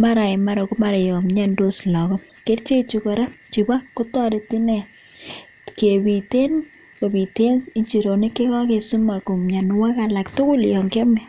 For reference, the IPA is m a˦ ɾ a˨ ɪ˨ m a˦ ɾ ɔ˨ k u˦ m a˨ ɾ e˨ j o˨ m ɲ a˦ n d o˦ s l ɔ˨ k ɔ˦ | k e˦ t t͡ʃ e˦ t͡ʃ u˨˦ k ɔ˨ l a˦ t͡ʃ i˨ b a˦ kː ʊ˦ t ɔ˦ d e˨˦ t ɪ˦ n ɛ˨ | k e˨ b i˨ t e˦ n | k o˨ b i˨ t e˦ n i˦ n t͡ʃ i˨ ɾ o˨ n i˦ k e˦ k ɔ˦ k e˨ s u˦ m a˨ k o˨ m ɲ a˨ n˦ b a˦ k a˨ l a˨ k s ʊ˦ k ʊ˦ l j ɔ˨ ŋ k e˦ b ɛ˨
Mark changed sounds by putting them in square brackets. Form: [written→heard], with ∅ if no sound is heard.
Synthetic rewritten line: m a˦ ɾ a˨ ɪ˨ m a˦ ɾ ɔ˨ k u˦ m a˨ ɾ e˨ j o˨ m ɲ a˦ n d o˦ s l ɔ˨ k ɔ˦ | k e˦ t t͡ʃ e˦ t͡ʃ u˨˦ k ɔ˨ [l→ɾ] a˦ t͡ʃ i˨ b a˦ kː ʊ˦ t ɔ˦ d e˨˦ t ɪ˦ n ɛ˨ | k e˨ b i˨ t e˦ n | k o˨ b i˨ t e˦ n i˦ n t͡ʃ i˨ ɾ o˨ n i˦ k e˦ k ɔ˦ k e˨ s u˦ m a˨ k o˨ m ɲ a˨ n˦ [b→w] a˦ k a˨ l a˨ k [s→t] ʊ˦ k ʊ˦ l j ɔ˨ ŋ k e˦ [b→m] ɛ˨